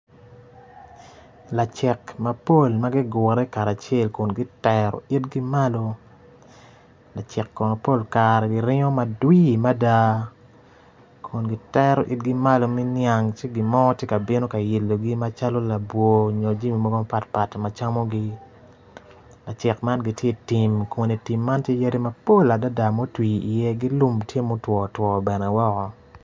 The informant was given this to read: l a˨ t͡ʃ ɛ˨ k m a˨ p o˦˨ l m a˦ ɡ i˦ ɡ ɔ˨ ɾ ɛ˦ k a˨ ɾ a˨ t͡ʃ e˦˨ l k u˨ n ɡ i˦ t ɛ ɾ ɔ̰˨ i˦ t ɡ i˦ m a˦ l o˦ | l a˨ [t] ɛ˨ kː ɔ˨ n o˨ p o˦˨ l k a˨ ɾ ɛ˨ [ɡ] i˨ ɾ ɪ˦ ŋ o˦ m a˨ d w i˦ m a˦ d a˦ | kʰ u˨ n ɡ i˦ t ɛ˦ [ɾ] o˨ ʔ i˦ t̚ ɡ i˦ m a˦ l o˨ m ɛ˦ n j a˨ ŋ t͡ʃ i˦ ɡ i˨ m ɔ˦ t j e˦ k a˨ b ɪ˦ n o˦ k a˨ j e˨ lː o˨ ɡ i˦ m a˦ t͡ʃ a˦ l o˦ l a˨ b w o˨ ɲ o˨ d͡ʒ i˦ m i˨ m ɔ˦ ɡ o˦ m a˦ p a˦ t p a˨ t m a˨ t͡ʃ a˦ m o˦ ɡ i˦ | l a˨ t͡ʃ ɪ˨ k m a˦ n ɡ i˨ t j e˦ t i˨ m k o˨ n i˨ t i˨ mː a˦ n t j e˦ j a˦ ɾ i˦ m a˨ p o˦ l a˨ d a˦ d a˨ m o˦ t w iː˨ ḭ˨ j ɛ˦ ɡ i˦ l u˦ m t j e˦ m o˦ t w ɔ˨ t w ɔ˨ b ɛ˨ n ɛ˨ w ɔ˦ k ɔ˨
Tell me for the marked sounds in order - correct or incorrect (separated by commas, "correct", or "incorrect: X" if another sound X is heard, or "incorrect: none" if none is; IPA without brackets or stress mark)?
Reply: incorrect: t͡ʃ, correct, correct